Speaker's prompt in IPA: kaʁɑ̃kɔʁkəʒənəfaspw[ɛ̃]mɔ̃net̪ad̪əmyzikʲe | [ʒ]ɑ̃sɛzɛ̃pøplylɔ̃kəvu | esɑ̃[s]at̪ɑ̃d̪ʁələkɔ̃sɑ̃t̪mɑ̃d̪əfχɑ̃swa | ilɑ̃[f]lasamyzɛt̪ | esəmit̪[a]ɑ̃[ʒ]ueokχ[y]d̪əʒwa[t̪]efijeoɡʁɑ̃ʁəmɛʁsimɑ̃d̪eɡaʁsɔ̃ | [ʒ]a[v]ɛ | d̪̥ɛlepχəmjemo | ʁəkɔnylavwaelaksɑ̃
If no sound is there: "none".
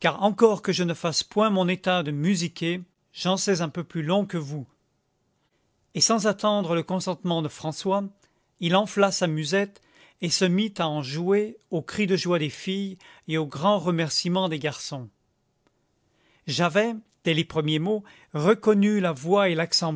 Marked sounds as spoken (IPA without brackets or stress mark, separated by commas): ɛ̃, ʒ, z, f, a, ʒ, i, d̪, ʒ, v